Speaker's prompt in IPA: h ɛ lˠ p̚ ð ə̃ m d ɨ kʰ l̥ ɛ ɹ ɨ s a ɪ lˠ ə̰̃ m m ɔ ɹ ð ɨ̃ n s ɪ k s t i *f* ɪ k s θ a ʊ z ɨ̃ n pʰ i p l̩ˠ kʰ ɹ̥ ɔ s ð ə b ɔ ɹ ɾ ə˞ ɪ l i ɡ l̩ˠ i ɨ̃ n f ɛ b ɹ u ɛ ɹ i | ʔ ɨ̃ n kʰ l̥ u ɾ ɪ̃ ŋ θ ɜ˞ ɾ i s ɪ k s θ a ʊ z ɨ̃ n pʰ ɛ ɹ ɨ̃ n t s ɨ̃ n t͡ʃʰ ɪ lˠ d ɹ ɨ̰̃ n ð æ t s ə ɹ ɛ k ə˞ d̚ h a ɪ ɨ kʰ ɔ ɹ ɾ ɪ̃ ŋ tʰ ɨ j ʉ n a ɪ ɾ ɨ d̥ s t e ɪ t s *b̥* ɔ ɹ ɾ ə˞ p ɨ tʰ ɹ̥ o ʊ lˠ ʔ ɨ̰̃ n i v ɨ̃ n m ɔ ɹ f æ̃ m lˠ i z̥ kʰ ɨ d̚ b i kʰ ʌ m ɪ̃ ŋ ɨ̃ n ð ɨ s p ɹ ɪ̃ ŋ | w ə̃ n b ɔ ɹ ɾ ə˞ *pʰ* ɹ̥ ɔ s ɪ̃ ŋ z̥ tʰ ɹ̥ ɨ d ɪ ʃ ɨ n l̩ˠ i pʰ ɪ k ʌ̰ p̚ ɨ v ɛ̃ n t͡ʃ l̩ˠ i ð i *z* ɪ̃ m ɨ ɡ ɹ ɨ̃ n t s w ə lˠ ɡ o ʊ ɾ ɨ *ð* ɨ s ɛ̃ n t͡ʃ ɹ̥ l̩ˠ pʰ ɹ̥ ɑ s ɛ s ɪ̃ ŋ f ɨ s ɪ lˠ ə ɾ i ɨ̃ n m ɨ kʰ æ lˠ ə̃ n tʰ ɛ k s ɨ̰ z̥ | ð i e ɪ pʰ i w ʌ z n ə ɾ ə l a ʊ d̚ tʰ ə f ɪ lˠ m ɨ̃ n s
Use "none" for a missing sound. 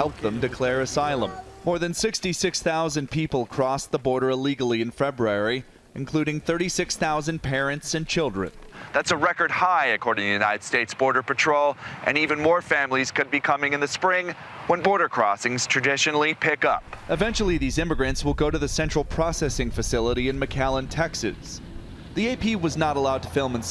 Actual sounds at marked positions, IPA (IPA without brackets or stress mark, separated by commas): s, b̥, kʰ, z, ð